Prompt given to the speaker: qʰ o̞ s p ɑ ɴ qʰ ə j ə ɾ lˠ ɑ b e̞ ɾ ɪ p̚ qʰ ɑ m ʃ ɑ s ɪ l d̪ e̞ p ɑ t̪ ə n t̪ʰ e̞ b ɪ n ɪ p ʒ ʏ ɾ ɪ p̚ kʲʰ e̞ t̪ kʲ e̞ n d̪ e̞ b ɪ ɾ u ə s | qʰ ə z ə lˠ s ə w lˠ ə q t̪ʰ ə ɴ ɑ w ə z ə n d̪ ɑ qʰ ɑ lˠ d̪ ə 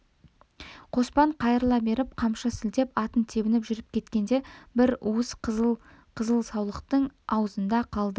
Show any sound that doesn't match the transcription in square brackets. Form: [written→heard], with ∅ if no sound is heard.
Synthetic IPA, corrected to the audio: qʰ o̞ s p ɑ ɴ qʰ [ə→ɑ] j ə ɾ lˠ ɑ b e̞ ɾ ɪ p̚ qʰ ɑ m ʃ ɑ s ɪ l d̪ e̞ p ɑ t̪ ə n t̪ʰ e̞ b ɪ n ɪ p ʒ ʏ ɾ ɪ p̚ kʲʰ e̞ t̪ kʲ e̞ n d̪ e̞ b ɪ ɾ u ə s | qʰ ə z ə lˠ s [ə→ɑ] w lˠ ə q [t̪ʰ→t̪] ə ɴ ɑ w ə z ə n d̪ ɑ qʰ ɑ lˠ d̪ ə